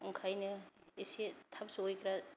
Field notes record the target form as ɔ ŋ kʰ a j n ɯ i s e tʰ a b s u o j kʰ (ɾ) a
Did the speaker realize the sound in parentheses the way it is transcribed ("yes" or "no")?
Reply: yes